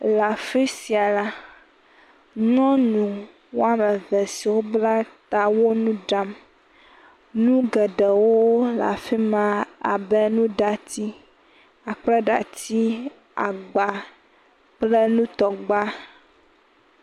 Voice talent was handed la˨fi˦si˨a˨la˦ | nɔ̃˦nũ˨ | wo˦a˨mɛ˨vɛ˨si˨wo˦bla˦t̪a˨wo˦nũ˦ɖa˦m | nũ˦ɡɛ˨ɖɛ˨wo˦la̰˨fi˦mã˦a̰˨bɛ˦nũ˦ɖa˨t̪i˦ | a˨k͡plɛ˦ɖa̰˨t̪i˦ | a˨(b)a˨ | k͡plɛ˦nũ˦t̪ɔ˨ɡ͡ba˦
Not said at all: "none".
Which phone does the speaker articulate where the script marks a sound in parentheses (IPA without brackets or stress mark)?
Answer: ɡ͡b